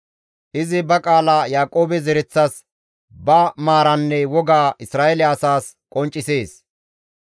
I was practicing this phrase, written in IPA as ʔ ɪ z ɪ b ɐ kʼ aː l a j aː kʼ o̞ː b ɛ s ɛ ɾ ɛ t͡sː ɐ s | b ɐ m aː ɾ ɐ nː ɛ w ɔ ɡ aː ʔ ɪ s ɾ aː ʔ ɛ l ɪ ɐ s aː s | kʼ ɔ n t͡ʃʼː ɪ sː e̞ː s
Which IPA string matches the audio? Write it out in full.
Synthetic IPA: ʔ ɪ z ɪ b ɐ kʼ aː l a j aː kʼ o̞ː b ɛ z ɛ ɾ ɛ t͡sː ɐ s | b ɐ m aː ɾ ɐ nː ɛ w ɔ ɡ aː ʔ ɪ s ɾ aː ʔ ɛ l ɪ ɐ s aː s | kʼ ɔ n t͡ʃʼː ɪ s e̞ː s